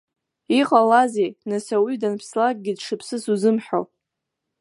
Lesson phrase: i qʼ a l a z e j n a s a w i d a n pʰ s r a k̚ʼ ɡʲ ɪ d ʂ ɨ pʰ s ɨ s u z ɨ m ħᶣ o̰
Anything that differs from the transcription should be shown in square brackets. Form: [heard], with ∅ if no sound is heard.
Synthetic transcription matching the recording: i qʼ a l a z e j n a s a w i d a n pʰ s [l] a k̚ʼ ɡʲ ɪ d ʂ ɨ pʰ s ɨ s u z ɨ m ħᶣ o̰